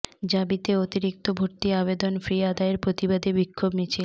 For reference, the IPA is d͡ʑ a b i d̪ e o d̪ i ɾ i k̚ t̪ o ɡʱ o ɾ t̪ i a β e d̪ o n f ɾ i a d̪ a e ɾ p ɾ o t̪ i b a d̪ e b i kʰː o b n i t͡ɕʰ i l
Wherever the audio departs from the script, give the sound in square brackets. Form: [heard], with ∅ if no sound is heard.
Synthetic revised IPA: d͡ʑ a b i [t̪] e o [t̪] i ɾ i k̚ t̪ o [bʱ] o ɾ t̪ i a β e d̪ o n f ɾ i a d̪ a e ɾ p ɾ o t̪ i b a d̪ e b i kʰː o b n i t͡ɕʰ i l